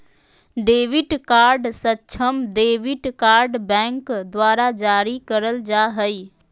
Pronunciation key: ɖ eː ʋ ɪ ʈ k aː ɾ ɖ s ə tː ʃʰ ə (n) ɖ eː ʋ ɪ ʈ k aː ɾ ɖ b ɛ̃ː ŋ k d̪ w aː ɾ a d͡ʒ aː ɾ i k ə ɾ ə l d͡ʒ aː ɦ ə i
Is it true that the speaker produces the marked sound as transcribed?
no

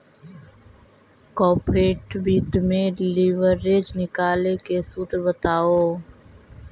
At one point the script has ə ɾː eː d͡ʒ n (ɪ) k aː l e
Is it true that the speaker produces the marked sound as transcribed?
yes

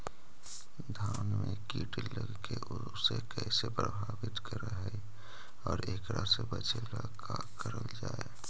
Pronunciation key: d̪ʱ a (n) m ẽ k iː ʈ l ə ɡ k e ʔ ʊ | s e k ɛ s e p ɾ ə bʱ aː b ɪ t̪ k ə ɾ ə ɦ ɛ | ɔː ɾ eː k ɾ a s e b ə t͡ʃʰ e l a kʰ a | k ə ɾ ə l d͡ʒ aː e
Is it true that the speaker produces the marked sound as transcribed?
yes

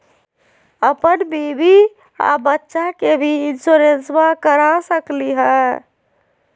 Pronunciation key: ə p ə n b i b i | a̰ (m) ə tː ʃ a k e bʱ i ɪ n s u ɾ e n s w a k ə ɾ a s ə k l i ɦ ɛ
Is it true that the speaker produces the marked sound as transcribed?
no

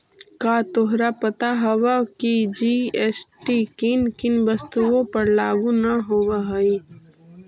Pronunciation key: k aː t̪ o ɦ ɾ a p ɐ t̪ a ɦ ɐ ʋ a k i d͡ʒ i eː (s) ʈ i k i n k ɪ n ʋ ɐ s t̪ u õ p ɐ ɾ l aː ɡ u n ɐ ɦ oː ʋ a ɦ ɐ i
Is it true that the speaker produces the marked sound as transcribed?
yes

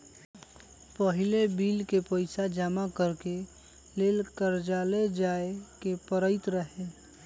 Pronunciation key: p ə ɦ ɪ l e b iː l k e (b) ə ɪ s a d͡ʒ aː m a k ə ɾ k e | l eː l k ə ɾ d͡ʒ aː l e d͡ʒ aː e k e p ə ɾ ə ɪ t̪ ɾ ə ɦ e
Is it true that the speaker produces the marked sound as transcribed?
no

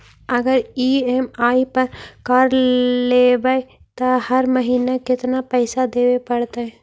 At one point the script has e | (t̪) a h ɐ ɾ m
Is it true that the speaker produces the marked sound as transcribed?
yes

